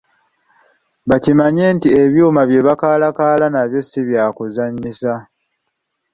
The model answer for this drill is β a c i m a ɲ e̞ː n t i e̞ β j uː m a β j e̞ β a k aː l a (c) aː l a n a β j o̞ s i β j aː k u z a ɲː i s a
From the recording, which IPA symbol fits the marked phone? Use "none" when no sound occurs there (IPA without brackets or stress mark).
k